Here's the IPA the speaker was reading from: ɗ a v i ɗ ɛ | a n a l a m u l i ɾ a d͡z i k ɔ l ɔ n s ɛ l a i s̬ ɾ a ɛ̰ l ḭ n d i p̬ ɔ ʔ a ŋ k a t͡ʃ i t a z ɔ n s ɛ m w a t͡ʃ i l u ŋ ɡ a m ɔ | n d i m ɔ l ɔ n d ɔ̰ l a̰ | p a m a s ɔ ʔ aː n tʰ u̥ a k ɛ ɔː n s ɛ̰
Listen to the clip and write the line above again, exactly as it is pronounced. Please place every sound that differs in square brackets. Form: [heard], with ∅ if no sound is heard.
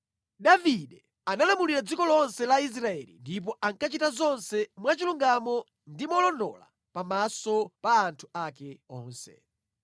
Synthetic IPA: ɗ a v i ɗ ɛ | a n a l a m u l i ɾ a d͡z i k ɔ l ɔ n s ɛ l a i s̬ ɾ a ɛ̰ l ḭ n d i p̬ ɔ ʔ a ŋ k a t͡ʃ i t a z ɔ n s ɛ m w a t͡ʃ i l u ŋ ɡ a m ɔ | n d i m ɔ l ɔ n d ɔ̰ l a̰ | p a m a s ɔ [p] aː n tʰ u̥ a k ɛ ɔː n s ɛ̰

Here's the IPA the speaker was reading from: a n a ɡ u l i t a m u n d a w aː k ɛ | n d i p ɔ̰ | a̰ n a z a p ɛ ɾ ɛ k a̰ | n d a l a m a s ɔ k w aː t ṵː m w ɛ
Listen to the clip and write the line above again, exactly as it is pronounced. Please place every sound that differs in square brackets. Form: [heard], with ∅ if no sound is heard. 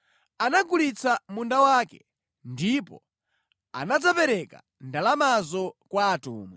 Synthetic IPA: a n a ɡ u l i [t͡s] a m u n d a w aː k ɛ | n d i p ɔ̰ | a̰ n a [d͡z] a p ɛ ɾ ɛ k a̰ | n d a l a m a [z] ɔ k w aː t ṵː m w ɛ

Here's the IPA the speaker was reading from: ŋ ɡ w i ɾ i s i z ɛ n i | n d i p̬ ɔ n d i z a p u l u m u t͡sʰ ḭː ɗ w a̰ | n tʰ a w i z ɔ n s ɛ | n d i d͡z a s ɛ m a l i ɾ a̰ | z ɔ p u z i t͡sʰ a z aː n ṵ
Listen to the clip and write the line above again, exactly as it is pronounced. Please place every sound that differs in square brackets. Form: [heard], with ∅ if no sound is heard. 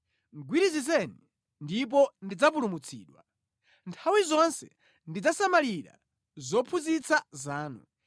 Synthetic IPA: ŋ ɡ w i ɾ i [z] i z ɛ n i | n d i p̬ ɔ n d i [d͡z] a p u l u m u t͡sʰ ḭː ɗ w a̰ | n tʰ a w i z ɔ n s ɛ | n d i d͡z a s [a] m a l i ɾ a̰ | z ɔ [pʰ] u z i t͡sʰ a z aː n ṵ

